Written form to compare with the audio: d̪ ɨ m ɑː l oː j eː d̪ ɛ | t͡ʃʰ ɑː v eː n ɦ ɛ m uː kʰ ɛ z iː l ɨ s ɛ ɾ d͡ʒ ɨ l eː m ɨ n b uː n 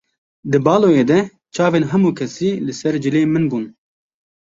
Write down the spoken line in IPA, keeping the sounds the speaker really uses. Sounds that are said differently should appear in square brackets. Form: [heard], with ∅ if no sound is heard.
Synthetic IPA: d̪ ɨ [b] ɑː l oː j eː d̪ ɛ | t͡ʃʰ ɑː v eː n ɦ ɛ m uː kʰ ɛ [s] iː l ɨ s ɛ ɾ d͡ʒ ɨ l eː m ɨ n b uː n